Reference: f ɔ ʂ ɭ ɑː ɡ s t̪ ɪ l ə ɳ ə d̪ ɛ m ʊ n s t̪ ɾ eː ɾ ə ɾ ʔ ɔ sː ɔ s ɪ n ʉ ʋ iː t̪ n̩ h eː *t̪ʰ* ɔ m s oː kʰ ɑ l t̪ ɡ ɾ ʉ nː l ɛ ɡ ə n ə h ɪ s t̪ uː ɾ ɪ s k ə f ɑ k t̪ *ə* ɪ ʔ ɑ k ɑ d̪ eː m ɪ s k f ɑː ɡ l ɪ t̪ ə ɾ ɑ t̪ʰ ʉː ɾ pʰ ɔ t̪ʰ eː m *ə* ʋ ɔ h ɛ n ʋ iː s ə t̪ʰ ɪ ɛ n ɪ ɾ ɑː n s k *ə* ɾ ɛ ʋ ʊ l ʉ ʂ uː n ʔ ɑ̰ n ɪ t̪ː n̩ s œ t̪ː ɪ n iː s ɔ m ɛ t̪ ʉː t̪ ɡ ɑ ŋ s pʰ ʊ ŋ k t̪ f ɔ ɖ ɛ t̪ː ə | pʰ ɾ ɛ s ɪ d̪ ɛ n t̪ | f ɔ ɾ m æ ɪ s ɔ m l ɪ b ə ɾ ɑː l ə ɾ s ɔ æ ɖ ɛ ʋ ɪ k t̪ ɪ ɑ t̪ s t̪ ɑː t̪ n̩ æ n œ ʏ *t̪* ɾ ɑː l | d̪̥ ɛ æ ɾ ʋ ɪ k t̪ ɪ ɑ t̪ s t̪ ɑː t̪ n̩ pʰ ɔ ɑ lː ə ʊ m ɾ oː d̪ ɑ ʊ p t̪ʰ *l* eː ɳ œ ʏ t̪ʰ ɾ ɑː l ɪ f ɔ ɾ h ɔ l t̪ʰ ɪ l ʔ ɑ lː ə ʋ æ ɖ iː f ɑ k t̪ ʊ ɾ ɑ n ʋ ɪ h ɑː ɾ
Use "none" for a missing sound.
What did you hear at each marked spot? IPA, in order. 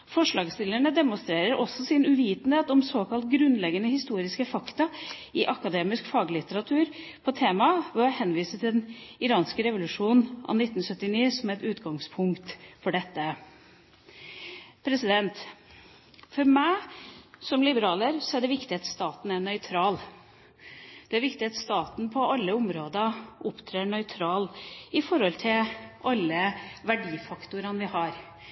t̪, ɑ, ɑ, ə, t̪ʰ, ɾ

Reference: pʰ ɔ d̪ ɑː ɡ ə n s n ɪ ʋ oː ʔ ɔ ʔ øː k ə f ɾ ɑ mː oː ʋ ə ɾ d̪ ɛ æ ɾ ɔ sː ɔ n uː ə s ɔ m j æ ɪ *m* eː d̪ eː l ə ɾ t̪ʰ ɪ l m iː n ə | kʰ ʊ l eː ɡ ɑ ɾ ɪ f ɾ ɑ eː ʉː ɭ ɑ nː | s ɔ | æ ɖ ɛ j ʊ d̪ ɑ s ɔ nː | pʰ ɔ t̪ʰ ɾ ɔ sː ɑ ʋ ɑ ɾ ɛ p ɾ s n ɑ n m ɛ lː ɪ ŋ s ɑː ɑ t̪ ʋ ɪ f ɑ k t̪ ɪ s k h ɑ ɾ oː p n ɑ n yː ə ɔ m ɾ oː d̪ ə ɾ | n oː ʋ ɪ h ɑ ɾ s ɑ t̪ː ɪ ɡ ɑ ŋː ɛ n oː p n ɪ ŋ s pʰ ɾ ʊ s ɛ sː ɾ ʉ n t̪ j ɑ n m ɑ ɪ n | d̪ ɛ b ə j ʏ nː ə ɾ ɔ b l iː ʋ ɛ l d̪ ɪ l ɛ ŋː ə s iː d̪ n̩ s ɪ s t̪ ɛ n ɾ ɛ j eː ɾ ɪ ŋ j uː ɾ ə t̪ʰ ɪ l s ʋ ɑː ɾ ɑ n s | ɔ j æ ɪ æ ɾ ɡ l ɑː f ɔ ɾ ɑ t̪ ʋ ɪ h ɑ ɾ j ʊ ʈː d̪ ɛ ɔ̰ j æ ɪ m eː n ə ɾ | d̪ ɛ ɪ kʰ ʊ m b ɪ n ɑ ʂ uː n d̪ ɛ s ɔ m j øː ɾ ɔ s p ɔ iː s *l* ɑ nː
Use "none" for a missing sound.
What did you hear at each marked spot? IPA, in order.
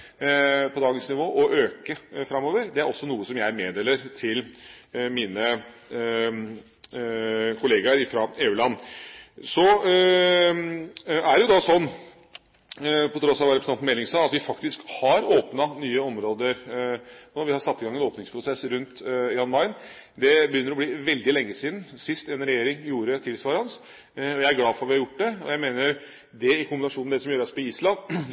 m, l

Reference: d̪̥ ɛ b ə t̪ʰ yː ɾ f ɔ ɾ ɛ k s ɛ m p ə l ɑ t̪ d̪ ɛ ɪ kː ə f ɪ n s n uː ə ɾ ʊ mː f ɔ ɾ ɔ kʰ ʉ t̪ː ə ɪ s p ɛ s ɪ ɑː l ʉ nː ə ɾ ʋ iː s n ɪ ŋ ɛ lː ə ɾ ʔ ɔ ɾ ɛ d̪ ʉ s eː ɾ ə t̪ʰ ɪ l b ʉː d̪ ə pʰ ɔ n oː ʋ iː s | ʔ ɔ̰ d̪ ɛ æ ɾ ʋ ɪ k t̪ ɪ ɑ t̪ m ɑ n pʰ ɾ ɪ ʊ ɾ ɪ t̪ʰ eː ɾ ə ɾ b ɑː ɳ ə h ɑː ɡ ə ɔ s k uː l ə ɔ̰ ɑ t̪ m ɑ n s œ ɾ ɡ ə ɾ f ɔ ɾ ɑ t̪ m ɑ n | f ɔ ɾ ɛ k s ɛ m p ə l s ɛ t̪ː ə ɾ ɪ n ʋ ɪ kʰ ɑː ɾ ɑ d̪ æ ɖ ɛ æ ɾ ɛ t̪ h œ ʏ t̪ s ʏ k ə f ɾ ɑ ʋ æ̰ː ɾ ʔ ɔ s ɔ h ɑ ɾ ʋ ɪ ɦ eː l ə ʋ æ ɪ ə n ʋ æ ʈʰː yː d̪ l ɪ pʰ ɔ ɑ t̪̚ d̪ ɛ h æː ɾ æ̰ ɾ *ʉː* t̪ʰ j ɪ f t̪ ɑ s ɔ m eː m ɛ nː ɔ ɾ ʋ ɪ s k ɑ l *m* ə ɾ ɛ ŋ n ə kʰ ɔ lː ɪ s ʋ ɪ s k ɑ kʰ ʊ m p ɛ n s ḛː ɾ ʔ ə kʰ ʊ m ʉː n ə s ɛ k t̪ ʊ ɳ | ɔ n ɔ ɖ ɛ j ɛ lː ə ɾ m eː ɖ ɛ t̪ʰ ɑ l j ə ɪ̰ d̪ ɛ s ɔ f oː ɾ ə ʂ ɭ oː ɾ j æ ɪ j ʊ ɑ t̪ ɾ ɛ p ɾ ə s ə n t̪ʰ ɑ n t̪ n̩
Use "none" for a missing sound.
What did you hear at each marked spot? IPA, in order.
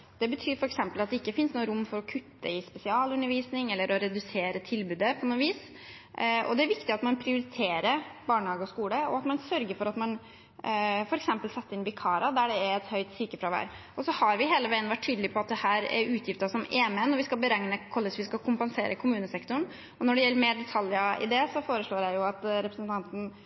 ʉː, b

